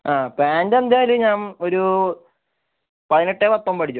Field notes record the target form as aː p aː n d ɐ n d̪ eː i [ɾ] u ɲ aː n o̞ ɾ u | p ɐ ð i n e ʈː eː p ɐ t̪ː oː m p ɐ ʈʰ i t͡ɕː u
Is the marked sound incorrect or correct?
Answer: incorrect: l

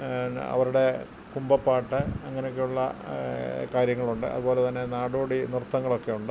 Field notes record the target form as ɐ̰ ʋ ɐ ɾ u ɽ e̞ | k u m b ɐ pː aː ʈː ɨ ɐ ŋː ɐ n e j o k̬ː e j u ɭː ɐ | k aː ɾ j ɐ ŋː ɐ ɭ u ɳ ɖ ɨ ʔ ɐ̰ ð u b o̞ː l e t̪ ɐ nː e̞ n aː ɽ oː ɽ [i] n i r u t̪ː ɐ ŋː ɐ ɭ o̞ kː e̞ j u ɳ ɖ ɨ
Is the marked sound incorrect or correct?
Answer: correct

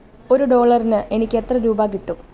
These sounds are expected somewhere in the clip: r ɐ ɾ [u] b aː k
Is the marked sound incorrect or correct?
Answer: incorrect: uː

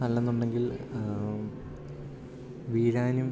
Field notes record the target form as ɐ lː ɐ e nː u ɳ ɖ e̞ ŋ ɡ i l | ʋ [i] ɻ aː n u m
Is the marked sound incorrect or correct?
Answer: incorrect: iː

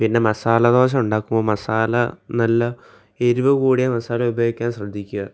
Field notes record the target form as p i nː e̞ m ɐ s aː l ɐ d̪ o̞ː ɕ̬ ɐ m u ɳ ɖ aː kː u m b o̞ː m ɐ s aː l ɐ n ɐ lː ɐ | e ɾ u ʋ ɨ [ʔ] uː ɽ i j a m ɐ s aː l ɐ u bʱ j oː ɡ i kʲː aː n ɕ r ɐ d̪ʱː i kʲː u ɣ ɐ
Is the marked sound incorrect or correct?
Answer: incorrect: k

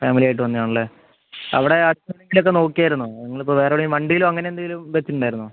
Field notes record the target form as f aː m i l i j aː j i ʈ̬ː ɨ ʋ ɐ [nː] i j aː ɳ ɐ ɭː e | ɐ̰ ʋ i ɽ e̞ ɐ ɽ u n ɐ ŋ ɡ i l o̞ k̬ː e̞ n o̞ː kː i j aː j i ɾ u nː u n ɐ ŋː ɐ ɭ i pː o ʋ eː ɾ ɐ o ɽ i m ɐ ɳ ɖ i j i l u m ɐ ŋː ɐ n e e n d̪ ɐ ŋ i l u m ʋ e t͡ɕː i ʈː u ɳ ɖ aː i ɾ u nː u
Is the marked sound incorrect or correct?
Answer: correct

